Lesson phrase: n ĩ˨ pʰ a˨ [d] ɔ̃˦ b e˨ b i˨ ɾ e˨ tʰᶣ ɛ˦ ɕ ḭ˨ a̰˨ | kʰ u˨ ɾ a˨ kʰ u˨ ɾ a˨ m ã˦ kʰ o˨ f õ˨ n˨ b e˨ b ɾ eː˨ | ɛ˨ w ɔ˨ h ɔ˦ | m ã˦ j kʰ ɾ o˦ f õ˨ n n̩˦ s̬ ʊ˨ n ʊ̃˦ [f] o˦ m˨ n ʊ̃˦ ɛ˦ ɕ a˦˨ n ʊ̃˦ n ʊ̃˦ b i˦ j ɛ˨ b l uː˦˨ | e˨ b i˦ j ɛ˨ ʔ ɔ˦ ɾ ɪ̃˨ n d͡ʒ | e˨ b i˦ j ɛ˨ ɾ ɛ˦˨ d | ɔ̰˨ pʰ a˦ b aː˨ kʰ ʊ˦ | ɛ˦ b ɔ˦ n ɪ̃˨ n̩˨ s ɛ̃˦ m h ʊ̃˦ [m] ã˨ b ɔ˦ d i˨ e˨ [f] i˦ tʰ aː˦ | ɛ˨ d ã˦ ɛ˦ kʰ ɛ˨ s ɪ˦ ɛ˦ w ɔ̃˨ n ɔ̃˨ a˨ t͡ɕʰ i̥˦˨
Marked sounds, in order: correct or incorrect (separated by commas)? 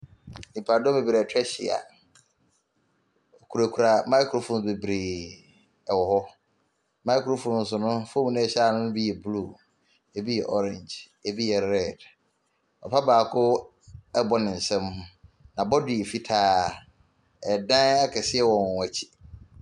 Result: correct, correct, incorrect, correct